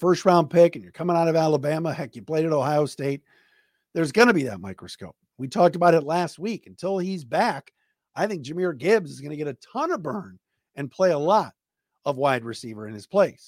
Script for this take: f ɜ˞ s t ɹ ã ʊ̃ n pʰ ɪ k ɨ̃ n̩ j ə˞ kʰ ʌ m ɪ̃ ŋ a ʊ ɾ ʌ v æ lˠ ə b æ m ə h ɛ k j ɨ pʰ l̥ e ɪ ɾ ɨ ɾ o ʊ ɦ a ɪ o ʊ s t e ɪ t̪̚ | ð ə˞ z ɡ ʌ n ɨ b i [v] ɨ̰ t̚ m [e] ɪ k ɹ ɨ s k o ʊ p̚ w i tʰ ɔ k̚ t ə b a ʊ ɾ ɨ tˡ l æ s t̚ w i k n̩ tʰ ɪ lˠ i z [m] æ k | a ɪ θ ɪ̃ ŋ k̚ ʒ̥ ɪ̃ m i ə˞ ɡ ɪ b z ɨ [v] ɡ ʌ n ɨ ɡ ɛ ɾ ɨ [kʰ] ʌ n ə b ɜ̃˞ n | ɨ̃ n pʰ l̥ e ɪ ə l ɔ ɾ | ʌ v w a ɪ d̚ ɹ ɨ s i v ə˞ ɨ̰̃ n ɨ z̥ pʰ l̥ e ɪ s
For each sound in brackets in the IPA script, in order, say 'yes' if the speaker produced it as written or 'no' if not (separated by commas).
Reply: no, no, no, no, no